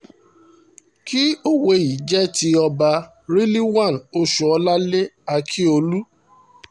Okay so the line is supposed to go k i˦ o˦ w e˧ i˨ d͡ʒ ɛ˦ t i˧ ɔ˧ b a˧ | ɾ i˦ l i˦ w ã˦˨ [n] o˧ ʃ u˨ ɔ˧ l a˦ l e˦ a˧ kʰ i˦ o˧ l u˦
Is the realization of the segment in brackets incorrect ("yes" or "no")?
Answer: no